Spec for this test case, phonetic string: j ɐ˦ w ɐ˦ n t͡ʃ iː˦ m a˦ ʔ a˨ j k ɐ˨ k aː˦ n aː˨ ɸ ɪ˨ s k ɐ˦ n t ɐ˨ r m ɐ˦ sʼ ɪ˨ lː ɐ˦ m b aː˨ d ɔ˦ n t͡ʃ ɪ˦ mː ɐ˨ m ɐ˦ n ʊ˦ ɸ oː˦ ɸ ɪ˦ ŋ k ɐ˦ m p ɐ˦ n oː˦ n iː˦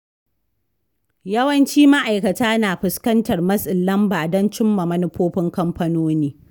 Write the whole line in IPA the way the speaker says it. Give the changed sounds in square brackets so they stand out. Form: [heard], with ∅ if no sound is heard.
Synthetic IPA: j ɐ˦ w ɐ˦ n t͡ʃ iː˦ m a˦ ʔ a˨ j k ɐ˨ [t] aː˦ n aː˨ ɸ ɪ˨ s k ɐ˦ n t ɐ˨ r m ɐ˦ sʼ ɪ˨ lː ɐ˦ m b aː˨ d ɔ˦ n t͡ʃ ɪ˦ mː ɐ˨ m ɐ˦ n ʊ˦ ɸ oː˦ ɸ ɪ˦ ŋ k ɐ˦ m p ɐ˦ n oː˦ n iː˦

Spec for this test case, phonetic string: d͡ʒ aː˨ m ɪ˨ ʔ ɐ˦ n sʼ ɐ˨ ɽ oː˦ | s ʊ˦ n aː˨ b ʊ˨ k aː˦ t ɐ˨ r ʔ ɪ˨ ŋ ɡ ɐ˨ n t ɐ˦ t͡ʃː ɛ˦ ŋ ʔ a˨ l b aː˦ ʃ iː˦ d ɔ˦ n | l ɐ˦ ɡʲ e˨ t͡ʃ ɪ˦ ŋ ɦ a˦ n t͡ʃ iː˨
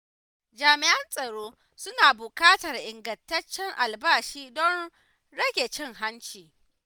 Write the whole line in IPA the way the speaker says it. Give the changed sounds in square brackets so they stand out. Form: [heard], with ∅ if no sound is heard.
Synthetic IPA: d͡ʒ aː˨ m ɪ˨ ʔ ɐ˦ n sʼ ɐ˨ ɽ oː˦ | s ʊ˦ n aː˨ b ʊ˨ k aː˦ t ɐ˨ r ʔ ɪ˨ ŋ ɡ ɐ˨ n t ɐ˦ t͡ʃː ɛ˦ ŋ ʔ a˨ l b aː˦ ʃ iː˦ d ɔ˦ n | [ɽ] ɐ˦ ɡʲ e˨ t͡ʃ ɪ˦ ŋ ɦ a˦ n t͡ʃ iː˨

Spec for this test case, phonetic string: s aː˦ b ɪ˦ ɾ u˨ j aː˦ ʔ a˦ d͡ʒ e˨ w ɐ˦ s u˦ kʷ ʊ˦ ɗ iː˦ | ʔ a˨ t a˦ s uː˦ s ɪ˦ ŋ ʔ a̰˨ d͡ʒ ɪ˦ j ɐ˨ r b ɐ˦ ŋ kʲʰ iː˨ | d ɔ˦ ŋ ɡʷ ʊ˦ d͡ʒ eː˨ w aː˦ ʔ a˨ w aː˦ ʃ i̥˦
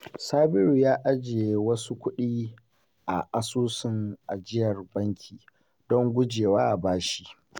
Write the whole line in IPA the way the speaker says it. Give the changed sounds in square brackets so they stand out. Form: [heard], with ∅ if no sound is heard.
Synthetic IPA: s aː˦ b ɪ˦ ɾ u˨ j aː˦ ʔ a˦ d͡ʒ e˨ w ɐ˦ s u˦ kʷ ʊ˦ ɗ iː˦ | ʔ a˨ [ʔ] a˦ s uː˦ s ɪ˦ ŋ ʔ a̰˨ d͡ʒ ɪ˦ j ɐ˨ r b ɐ˦ ŋ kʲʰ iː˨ | d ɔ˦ ŋ ɡʷ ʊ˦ d͡ʒ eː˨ w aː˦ ʔ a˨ [b] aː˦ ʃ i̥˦

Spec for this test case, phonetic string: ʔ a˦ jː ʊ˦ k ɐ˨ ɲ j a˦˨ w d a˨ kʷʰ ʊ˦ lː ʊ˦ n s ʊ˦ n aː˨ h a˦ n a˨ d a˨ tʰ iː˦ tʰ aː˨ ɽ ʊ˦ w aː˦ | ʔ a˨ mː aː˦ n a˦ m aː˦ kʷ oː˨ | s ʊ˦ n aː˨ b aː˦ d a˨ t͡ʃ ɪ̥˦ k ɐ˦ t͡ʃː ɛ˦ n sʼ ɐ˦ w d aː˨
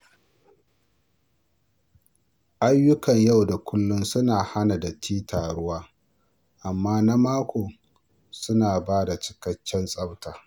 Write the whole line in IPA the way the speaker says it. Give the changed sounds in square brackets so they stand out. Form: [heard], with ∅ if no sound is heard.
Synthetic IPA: ʔ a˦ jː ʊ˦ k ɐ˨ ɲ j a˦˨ w d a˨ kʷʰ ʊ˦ lː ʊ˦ n s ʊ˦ n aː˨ h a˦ n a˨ d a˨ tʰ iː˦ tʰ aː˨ ɽ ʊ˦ w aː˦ | ʔ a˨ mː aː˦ n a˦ m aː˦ kʷ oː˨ | s ʊ˦ n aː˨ b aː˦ d a˨ t͡ʃ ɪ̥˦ k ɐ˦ t͡ʃː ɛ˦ n sʼ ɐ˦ w [t] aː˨

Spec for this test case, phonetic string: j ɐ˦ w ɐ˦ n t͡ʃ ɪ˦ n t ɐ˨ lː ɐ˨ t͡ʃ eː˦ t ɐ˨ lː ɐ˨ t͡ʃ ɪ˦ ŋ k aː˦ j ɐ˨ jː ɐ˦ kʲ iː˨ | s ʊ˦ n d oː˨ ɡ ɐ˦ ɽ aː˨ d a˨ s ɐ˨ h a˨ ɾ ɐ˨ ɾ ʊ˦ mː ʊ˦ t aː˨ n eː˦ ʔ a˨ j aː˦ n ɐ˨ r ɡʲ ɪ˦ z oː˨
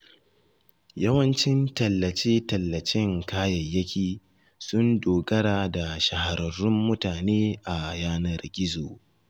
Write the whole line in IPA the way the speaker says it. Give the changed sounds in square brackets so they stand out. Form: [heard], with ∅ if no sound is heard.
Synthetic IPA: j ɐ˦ w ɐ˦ n t͡ʃ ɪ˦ n t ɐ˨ lː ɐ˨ t͡ʃ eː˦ t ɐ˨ lː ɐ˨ t͡ʃ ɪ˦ ŋ k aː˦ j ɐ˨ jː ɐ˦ kʲ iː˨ | s ʊ˦ n d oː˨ ɡ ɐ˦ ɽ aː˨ d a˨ [ʃ] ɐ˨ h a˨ ɾ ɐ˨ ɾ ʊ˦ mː ʊ˦ t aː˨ n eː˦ ʔ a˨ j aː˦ n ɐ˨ r ɡʲ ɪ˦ z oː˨

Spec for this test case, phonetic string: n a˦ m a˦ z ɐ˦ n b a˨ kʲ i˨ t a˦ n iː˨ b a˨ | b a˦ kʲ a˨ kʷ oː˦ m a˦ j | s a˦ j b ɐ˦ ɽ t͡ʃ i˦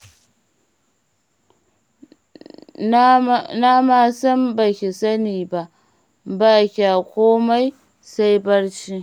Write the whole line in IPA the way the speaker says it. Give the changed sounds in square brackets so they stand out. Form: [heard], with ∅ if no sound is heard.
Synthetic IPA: n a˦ m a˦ [s] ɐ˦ [m] b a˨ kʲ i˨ [s] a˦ n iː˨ b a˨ | b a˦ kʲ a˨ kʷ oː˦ m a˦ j | s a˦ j b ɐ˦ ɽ t͡ʃ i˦

